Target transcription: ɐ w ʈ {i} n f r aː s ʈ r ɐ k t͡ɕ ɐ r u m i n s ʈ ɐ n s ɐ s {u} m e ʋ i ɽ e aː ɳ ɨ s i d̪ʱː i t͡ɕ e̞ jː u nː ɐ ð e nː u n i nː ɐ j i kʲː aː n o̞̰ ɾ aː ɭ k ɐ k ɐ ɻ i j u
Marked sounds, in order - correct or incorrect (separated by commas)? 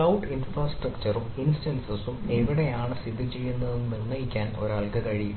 correct, correct